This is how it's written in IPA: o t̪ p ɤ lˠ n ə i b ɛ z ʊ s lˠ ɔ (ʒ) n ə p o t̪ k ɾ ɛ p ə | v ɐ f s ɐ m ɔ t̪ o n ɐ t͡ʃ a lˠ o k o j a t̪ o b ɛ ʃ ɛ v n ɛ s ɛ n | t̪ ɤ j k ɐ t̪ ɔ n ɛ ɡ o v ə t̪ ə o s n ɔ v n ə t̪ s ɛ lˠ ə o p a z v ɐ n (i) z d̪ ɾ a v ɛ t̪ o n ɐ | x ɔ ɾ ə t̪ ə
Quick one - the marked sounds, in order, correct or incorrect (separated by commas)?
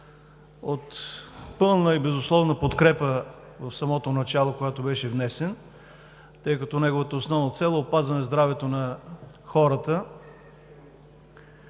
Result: incorrect, incorrect